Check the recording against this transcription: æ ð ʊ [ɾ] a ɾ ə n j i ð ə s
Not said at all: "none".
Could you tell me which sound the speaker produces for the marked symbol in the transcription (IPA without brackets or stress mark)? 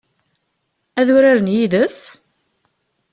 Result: ɾ